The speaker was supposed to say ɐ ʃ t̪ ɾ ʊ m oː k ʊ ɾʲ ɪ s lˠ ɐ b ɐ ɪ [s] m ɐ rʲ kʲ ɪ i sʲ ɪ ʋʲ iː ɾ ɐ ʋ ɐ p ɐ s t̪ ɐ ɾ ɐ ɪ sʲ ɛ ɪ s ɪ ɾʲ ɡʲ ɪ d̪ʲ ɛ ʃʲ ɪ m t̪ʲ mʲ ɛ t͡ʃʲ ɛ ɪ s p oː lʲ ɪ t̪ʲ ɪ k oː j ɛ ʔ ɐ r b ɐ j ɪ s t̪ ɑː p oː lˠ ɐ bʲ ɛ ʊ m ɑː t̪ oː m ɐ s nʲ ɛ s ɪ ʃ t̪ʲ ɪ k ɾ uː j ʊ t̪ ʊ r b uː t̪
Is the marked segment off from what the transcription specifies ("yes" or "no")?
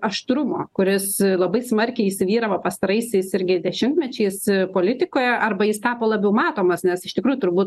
no